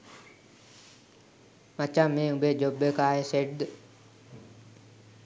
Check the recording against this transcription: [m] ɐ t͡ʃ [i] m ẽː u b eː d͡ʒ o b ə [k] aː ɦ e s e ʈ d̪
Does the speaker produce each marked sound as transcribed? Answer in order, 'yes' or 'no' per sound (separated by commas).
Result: yes, no, yes